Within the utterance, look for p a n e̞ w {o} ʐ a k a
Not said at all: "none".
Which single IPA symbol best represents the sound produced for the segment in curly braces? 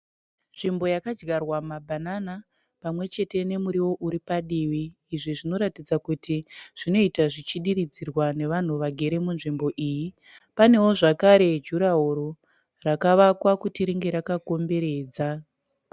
o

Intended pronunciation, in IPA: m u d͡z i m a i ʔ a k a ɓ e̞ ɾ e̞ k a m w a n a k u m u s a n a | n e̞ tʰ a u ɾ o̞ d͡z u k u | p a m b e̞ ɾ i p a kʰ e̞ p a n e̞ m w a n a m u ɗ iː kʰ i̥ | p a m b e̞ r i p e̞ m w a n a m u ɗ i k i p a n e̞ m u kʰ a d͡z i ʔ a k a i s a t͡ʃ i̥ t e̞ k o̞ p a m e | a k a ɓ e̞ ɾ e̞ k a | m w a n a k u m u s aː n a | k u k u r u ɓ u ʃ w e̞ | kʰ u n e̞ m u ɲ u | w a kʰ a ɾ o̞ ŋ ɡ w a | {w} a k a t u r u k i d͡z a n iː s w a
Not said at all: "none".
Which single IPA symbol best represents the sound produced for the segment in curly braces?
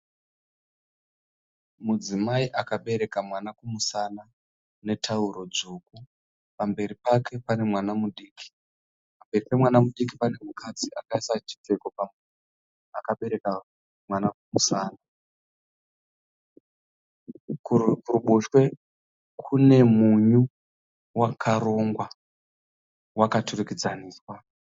w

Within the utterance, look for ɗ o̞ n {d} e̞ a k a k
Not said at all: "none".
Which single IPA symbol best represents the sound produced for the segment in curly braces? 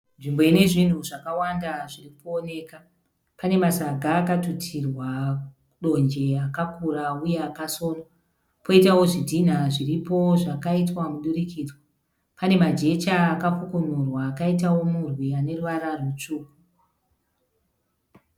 d͡ʒ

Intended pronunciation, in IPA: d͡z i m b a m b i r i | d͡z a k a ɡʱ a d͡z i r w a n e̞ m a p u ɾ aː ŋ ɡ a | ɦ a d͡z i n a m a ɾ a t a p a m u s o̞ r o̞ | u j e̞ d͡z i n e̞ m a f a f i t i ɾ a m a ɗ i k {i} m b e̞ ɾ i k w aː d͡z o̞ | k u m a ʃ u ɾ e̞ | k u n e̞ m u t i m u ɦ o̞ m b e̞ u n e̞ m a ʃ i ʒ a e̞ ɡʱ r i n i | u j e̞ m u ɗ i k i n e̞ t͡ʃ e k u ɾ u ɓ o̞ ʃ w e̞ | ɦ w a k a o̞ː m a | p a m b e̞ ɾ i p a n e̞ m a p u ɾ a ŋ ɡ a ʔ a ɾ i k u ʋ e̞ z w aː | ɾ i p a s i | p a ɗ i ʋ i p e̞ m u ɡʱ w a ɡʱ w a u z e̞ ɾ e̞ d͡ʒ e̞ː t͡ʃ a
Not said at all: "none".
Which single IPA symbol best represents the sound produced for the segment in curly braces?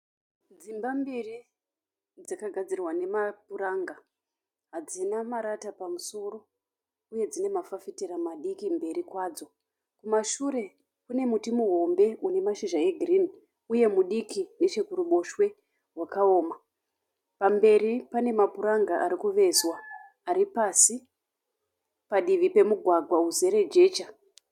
i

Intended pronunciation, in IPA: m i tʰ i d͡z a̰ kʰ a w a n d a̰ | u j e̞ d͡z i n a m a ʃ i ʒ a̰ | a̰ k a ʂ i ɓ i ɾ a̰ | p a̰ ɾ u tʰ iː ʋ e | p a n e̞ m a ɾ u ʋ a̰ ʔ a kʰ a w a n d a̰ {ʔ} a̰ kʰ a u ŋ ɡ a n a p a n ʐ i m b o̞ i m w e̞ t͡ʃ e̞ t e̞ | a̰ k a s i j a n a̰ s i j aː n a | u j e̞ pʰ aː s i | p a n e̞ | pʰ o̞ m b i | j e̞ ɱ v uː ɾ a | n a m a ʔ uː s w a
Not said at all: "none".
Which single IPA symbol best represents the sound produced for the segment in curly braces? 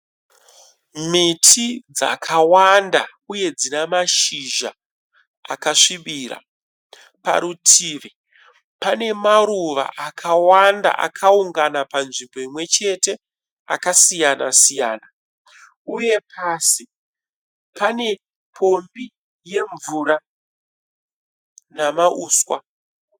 ʔ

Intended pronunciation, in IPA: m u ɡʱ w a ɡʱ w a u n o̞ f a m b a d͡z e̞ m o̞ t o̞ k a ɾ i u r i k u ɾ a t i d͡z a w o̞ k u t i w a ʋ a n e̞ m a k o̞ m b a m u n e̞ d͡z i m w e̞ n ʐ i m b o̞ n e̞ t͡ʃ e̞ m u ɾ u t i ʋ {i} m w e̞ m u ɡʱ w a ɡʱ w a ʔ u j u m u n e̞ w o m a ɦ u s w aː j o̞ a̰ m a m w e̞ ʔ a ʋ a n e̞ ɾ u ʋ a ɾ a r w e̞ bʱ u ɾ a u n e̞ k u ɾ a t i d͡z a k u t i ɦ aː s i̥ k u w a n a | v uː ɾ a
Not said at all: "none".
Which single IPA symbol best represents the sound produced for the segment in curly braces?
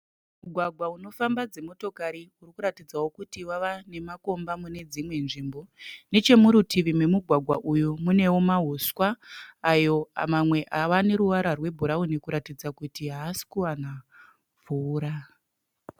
i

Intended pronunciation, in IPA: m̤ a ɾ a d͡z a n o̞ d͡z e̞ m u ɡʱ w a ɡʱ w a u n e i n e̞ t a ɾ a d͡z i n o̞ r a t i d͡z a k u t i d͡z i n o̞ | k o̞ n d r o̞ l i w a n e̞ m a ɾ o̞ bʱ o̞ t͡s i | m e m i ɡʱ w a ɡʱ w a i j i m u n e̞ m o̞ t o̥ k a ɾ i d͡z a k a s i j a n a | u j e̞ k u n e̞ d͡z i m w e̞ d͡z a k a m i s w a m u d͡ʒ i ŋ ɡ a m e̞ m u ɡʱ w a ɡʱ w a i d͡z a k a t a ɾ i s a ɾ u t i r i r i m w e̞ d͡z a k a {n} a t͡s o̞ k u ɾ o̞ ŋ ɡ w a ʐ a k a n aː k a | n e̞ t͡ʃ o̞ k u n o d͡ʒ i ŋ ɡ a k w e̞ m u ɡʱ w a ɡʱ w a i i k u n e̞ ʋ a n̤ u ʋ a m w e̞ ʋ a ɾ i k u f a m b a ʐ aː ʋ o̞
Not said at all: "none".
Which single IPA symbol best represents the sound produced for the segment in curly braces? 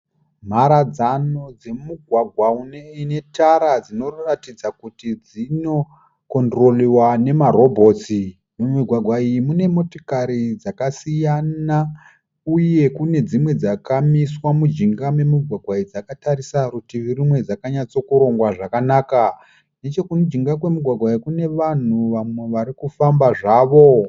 ɲ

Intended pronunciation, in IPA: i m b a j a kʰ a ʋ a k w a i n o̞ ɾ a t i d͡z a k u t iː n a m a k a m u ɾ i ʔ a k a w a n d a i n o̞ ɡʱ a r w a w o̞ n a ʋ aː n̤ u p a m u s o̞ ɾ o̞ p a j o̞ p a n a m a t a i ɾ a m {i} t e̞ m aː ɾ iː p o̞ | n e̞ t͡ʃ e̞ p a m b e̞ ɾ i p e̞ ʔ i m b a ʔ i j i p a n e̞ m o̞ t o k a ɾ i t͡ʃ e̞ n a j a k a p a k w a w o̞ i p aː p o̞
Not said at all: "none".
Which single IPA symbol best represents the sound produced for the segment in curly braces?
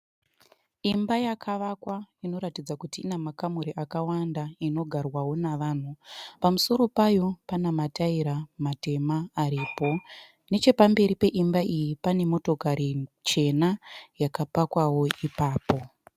a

